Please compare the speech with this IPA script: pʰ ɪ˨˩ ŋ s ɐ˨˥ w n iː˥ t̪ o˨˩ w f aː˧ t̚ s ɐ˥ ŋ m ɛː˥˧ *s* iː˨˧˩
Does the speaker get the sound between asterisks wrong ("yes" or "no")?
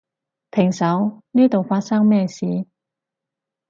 no